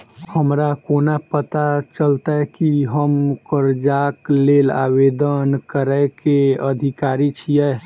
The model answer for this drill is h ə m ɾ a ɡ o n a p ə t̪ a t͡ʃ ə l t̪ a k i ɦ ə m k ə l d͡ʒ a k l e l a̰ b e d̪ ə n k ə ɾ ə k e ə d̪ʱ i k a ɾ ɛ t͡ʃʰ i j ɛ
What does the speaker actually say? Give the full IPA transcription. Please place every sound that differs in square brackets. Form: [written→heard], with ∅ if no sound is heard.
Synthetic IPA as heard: h ə m ɾ a [ɡ→k] o n a p ə t̪ a t͡ʃ ə l t̪ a k i ɦ ə m k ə [l→ɾ] d͡ʒ a k l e l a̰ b e d̪ ə n k ə ɾ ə k e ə d̪ʱ i k a ɾ [ɛ→i] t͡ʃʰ i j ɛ